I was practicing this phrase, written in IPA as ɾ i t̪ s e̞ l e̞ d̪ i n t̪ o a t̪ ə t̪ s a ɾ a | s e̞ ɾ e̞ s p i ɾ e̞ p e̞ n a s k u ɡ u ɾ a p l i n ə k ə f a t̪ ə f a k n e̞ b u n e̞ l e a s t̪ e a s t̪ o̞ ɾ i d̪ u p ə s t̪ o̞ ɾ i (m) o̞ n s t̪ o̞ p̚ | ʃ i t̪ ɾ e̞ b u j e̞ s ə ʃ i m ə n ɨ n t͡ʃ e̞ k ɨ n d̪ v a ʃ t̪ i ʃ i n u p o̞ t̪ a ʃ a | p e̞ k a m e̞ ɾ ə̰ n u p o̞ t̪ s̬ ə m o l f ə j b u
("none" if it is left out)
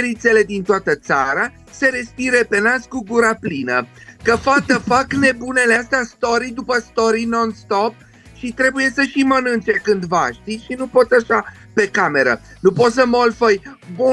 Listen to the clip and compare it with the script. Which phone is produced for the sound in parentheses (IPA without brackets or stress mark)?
n